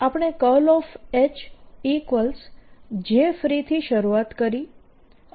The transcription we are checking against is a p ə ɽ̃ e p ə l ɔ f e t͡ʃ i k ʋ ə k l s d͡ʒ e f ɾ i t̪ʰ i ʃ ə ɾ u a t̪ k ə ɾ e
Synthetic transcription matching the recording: a p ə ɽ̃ e k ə l ɔ f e t͡ʃ i k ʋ ə l s d͡ʒ e f ɾ i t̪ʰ i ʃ ə ɾ u a t̪ k ə ɾ i